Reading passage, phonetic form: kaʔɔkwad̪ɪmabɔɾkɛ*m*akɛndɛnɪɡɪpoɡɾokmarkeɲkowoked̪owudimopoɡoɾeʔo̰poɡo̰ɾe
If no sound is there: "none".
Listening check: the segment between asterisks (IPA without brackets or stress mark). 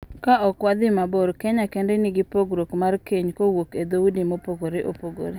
ɲ